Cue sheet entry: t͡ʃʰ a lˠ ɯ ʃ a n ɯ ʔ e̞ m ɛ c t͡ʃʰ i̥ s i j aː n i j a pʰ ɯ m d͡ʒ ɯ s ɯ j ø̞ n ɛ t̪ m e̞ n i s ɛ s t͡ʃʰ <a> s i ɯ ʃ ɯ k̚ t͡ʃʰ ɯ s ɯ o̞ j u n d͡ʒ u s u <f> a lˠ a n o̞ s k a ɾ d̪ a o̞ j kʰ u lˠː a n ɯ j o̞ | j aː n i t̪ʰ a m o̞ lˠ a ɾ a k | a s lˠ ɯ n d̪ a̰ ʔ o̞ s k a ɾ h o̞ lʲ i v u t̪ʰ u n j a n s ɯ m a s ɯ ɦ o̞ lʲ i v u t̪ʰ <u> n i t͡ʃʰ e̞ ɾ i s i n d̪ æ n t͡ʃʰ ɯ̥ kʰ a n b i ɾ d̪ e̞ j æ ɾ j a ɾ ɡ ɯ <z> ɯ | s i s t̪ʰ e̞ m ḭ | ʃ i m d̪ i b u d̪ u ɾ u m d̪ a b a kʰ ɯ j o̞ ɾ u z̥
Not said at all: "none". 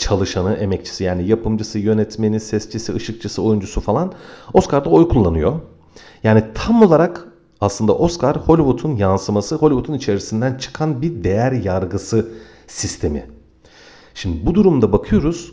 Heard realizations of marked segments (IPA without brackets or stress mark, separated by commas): i, f, u, s